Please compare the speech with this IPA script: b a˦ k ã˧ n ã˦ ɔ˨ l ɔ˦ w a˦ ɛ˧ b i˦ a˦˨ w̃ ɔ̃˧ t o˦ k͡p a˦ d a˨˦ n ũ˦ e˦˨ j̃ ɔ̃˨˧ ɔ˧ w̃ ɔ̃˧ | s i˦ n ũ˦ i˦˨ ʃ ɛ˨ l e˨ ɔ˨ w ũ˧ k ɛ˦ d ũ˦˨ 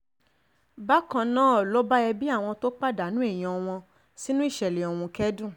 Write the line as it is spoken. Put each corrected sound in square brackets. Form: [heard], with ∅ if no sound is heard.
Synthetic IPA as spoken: b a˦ k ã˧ n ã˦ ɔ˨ l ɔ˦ [b] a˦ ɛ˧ b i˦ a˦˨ w̃ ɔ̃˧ t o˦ k͡p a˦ d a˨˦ n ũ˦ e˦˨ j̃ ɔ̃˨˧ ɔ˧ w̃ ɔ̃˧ | s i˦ n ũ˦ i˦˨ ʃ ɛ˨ l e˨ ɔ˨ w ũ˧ k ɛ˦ d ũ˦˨